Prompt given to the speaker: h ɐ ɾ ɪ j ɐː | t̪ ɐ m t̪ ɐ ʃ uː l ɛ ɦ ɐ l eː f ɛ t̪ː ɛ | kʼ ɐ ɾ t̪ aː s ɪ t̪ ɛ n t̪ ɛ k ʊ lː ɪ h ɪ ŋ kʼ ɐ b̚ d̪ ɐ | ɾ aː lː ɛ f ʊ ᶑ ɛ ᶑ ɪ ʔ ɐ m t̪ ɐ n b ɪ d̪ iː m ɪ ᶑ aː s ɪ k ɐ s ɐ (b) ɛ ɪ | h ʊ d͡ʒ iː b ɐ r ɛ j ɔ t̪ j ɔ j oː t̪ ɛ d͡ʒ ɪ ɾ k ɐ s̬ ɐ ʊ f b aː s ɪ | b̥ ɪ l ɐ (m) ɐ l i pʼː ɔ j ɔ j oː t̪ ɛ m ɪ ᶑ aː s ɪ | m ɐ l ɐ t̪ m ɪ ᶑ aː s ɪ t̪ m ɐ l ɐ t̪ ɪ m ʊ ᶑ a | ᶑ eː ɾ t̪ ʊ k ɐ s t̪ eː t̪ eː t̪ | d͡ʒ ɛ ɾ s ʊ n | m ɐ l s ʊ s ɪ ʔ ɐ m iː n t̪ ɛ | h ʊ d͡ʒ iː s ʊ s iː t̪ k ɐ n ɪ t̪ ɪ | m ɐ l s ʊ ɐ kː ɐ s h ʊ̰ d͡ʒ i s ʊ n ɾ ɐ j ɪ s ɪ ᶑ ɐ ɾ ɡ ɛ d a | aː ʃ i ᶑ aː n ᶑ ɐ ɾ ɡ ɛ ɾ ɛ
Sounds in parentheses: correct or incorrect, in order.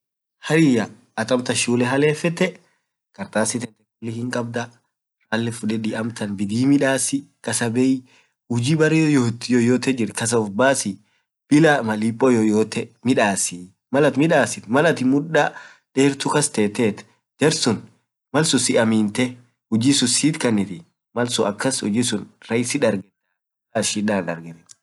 correct, correct

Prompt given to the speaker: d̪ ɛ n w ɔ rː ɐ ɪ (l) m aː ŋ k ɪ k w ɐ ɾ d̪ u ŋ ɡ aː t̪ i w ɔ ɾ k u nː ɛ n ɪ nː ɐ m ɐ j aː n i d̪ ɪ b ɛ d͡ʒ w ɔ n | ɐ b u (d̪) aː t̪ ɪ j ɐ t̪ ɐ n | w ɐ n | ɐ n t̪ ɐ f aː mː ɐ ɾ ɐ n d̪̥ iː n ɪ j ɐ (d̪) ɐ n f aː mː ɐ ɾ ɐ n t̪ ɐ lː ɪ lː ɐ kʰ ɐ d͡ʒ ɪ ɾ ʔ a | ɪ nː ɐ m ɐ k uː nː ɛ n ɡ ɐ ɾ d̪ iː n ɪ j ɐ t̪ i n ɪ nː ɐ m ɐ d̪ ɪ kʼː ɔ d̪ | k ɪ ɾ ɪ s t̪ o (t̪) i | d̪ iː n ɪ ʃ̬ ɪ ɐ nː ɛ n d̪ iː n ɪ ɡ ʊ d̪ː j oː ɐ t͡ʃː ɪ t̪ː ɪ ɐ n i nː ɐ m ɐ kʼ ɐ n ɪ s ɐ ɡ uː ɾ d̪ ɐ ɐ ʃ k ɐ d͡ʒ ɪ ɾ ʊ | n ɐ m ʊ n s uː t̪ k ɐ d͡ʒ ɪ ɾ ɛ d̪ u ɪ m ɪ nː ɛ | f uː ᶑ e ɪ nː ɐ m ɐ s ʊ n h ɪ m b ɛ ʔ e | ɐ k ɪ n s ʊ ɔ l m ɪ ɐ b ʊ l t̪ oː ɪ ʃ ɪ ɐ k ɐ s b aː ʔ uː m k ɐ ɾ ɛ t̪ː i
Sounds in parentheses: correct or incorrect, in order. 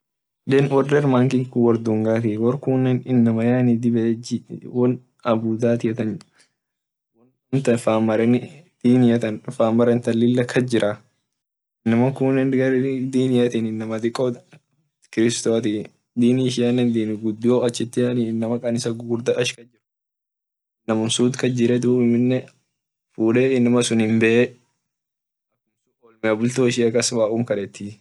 incorrect, correct, incorrect, correct

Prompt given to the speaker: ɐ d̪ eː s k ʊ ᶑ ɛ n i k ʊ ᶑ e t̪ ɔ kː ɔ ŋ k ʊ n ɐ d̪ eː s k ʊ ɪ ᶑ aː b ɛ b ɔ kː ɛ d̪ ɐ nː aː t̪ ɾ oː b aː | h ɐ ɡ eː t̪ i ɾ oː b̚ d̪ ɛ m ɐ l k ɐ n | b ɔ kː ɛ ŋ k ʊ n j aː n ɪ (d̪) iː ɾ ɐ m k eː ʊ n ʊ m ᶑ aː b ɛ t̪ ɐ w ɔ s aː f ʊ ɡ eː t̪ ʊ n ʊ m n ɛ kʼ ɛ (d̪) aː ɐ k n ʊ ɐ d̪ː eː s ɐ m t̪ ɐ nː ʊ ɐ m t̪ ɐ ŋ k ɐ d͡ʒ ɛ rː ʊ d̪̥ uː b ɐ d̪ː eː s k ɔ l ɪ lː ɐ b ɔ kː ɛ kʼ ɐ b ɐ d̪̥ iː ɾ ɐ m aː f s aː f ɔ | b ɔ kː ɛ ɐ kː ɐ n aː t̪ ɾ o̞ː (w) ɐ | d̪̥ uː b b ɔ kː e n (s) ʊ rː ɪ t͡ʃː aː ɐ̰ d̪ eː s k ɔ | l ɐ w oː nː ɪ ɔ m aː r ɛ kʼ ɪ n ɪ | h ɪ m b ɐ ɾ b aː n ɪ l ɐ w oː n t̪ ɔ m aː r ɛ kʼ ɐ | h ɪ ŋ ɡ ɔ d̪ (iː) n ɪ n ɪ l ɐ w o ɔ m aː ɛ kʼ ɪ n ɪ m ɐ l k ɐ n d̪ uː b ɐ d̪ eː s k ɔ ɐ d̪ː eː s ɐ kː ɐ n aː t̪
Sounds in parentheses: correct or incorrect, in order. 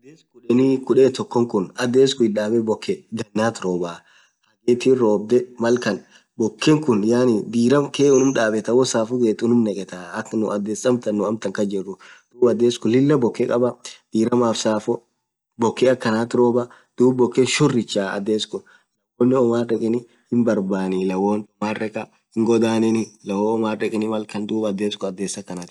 correct, incorrect, incorrect, incorrect, incorrect

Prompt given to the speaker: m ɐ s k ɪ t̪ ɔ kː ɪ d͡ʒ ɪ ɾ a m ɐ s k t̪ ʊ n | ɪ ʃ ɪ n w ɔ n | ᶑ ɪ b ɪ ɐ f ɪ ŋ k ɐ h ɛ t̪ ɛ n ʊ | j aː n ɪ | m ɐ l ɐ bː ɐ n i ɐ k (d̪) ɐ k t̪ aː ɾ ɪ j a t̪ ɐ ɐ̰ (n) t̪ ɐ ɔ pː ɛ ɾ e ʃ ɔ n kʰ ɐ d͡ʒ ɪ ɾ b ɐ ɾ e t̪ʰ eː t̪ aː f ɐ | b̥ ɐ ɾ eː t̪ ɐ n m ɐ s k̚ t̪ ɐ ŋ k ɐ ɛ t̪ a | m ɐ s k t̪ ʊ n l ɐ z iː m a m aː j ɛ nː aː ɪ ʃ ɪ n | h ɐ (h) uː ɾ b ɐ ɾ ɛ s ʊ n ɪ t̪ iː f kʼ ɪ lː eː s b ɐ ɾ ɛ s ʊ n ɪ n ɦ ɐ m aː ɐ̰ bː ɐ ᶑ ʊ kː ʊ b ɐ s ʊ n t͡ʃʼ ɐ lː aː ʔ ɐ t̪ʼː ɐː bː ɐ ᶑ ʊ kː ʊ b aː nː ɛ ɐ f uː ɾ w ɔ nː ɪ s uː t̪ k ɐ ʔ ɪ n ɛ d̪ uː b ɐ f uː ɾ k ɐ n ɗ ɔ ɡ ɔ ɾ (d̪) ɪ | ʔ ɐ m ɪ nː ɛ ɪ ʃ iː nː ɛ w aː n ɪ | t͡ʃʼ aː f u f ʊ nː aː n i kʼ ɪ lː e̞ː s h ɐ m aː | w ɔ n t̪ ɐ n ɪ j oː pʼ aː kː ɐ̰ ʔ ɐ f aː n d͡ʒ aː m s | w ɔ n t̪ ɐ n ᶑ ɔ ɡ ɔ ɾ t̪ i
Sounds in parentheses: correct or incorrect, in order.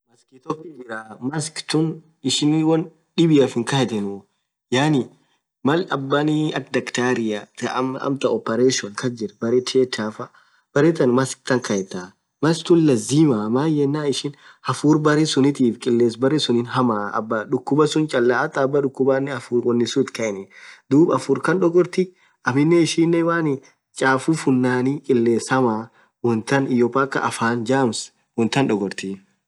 correct, incorrect, incorrect, incorrect

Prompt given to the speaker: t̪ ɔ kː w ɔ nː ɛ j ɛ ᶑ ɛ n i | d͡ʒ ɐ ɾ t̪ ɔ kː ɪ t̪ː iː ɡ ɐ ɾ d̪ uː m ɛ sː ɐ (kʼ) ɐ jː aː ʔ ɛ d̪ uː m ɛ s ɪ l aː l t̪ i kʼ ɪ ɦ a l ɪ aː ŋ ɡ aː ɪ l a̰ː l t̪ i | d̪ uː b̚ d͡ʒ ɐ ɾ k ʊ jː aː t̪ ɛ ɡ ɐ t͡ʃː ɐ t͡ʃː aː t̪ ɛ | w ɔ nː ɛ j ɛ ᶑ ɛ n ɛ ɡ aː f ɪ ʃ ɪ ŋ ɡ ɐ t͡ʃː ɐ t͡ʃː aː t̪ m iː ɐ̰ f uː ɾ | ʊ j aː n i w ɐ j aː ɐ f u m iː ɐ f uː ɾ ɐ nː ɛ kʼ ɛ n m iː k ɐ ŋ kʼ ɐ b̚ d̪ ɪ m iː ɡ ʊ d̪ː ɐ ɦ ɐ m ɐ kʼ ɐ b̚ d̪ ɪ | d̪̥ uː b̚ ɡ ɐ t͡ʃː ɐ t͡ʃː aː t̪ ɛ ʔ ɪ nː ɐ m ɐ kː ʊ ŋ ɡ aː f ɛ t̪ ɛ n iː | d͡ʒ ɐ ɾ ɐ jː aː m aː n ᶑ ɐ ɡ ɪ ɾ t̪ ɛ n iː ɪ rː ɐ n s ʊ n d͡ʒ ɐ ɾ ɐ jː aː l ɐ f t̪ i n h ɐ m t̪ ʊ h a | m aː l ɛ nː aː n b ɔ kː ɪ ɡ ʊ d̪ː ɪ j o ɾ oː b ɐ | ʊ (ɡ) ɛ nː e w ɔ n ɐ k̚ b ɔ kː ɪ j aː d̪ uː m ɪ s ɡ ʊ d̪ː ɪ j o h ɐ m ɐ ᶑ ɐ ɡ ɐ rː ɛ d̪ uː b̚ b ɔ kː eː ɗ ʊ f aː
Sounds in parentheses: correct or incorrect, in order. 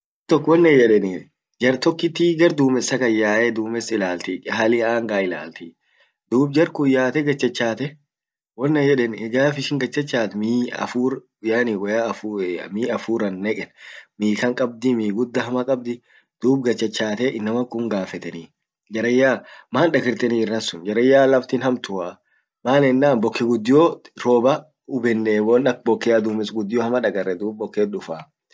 incorrect, incorrect

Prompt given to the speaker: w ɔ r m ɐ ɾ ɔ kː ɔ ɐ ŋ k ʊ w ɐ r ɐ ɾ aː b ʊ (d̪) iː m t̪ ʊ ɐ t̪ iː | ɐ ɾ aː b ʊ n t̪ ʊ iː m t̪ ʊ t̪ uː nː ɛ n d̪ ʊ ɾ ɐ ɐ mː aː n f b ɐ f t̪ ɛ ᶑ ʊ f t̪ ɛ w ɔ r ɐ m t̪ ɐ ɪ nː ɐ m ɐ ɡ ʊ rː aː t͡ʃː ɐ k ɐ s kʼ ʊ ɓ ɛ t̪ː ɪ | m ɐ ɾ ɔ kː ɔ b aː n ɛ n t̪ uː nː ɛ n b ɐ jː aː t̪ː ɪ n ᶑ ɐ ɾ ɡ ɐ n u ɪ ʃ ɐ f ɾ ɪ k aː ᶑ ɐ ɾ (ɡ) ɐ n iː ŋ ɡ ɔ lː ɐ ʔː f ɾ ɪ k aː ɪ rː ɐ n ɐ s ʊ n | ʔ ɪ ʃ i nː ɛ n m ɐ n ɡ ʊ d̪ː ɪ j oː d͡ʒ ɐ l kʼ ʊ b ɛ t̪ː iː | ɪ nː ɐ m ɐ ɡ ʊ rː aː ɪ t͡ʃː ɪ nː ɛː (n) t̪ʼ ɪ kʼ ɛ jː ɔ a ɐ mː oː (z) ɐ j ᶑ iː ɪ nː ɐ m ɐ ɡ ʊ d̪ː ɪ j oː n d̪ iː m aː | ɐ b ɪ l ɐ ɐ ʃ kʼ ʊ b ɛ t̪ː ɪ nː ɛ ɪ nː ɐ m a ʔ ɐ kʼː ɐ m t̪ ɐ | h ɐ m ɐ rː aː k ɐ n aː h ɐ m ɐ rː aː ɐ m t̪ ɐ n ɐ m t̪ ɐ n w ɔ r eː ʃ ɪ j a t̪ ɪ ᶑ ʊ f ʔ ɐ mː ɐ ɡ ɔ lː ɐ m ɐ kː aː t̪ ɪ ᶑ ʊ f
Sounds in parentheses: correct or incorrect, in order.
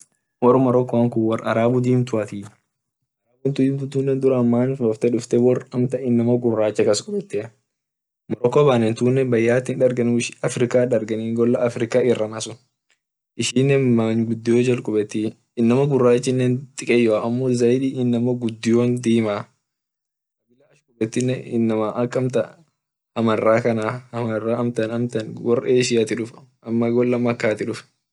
correct, correct, correct, correct

